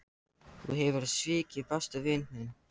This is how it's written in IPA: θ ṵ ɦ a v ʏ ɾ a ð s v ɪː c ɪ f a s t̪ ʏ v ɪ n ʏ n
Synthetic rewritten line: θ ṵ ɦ ɛ v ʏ ɾ a ð s v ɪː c ɪ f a s t̪ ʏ v ɪ n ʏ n